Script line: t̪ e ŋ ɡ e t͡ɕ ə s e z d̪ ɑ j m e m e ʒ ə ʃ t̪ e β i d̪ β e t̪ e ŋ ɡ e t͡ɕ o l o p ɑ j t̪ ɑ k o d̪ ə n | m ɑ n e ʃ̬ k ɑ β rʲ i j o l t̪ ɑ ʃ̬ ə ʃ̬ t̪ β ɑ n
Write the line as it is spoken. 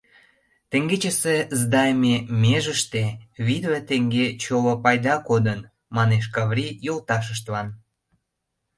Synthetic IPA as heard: t̪ e ŋ ɡ e t͡ɕ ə s e z d̪ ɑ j m e m e ʒ ə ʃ t̪ e β i d̪ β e t̪ e ŋ ɡ e t͡ɕ o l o p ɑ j d̪ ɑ k o d̪ ə n | m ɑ n e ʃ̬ k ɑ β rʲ i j o l t̪ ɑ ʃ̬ ə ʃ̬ t̪ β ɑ n